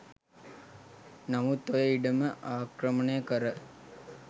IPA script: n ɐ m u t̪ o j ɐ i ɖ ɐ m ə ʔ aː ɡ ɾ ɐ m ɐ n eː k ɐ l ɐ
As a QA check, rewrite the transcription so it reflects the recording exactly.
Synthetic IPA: n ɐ m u t̪ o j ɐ i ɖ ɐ m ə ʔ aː k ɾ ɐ m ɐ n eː k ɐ ɾ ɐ